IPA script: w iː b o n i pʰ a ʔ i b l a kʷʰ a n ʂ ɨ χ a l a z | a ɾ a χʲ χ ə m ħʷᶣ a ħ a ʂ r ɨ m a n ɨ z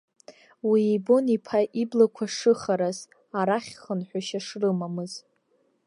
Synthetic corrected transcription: w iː b o n i pʰ a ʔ i b l a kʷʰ a ʂ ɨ χ a ɾ a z | a ɾ a χʲ χ ə n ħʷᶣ a ʃ a ʂ r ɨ m a m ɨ z

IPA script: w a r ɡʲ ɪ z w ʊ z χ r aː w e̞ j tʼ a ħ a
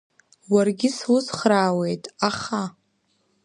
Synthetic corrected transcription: w a r ɡʲ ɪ s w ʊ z χ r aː w e̞ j tʼ a χ a

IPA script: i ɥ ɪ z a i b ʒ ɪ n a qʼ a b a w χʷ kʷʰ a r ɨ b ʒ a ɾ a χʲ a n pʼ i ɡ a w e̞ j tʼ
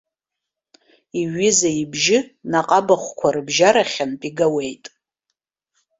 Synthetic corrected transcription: i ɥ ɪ z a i b ʒ ɪ n a qʼ a b a χʷ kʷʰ a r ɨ b ʒ a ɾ a χʲ a n pʼ i ɡ a w e̞ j tʼ

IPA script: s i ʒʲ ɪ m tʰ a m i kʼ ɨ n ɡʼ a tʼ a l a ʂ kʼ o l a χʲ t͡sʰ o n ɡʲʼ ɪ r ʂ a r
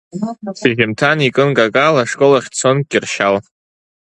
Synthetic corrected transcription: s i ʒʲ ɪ m tʰ a n i kʼ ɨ n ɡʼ a kʼ a l a ʂ kʼ o l a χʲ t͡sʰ o n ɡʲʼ ɪ r ʃ a l

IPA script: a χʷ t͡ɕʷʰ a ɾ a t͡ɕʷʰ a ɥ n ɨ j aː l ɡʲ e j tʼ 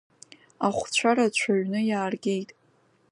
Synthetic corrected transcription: a χʷ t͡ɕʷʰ a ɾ a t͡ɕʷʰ a ɥ n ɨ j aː r ɡʲ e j tʼ

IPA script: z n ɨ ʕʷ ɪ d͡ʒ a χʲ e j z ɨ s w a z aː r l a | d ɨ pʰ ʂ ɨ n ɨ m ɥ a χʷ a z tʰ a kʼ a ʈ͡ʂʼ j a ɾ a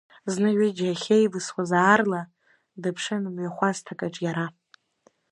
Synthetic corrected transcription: z n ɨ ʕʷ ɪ d͡ʒ a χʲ e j v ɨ s w a z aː r l a | d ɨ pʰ ʂ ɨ n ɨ m ɥ a χʷ a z tʰ a kʼ a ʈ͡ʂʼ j a ɾ a

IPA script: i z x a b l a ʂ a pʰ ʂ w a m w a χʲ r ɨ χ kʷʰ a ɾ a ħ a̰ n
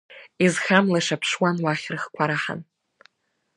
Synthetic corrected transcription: i z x a m l a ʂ a pʰ ʂ w a n w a χʲ r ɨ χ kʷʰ a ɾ a ħ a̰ n

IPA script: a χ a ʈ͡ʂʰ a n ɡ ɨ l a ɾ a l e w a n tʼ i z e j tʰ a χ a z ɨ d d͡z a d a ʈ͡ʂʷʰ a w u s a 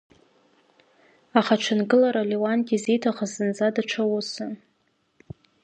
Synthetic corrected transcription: a χ a ʈ͡ʂʰ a n ɡ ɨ l a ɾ a l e w a n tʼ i z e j tʰ a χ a z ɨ n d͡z a d a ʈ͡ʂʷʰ a w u s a

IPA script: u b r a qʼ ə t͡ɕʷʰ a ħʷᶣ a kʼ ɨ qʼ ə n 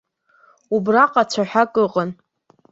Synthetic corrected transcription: u b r a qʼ a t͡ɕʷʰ a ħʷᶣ a kʼ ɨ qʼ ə n

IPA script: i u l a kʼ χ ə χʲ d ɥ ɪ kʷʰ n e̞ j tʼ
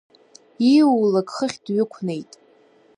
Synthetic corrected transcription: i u l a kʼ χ ə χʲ d ɥ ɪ kʷʰ n e̞ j tʼ

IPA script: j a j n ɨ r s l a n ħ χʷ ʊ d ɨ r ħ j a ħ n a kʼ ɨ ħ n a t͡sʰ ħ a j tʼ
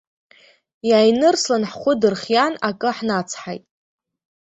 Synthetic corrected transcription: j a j n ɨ r s l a n ħ χʷ ʊ d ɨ r χ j a n a kʼ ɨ ħ n a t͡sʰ ħ a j tʼ

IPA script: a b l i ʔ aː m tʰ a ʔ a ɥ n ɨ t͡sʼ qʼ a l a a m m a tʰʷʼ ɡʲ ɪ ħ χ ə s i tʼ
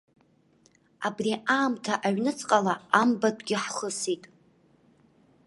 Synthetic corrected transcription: a b r i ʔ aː m tʰ a ʔ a ɥ n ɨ t͡sʼ qʼ a l a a m b a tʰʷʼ ɡʲ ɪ ħ χ ə s i tʼ

